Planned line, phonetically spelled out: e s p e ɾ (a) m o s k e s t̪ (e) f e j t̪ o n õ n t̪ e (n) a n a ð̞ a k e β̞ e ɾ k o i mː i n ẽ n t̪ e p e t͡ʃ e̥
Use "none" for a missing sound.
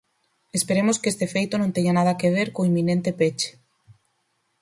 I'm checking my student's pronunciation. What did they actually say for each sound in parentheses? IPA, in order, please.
e, e, ɲ

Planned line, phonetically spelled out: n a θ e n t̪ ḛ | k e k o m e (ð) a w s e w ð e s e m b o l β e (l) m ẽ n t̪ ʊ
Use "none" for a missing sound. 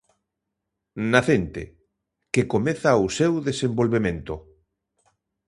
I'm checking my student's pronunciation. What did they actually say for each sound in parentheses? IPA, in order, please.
θ, none

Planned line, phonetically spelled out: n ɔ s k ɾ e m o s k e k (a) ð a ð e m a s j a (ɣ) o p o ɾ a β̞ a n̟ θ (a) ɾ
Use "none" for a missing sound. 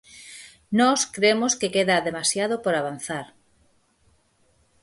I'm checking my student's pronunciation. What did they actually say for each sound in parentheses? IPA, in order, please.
e, ð, a

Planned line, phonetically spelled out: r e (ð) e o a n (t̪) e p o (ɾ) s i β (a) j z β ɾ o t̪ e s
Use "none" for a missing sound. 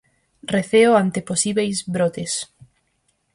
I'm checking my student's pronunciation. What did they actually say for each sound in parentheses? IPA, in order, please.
θ, t̪, none, e

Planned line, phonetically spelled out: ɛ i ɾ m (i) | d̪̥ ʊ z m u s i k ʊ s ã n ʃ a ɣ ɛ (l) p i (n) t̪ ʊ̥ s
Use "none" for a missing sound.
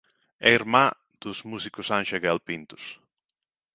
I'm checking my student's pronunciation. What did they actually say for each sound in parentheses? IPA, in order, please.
a, l, n

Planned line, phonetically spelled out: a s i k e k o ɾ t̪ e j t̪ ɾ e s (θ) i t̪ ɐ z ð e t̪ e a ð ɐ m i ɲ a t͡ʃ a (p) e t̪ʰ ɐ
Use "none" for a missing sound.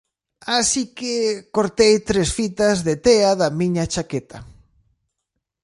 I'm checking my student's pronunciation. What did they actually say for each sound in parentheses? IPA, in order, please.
f, k

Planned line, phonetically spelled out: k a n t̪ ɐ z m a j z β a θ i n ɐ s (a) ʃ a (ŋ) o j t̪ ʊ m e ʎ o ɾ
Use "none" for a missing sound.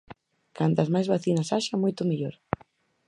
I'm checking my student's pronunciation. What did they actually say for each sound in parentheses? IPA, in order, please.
a, m

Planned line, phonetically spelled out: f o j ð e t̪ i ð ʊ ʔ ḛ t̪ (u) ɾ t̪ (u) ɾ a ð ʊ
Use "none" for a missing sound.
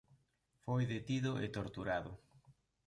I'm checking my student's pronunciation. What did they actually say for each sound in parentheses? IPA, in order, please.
o, u

